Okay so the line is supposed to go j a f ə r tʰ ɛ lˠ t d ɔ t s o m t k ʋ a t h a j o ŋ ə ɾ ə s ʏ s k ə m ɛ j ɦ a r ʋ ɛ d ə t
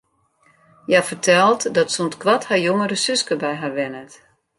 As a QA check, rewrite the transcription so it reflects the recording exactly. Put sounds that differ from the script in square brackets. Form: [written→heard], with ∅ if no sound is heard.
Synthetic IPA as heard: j a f ə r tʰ ɛ lˠ t d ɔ t s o [m→n] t k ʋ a t h a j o ŋ ə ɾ ə s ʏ s k ə [m→b] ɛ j ɦ a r ʋ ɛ [d→n] ə t

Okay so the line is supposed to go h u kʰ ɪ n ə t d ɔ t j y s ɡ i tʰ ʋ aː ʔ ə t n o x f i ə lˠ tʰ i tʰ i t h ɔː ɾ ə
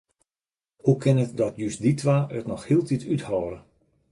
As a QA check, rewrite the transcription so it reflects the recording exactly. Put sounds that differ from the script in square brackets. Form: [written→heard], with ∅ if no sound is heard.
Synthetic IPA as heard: h u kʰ ɪ n ə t d ɔ t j y s [ɡ→d] i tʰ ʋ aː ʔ ə t n [o→ɔ] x [f→h] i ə lˠ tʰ i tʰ [i→y] t h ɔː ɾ ə

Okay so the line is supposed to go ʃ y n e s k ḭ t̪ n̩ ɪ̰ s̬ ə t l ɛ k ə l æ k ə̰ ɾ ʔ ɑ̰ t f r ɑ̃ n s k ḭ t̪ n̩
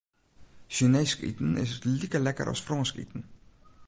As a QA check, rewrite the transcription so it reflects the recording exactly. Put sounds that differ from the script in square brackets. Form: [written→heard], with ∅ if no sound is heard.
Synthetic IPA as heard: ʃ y n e s k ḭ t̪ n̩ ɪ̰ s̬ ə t l [ɛ→i] k ə l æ k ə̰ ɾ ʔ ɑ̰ [t→s] f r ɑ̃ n s k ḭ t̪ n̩

